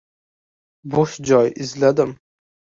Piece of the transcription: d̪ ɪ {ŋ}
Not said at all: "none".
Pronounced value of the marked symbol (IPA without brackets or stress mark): m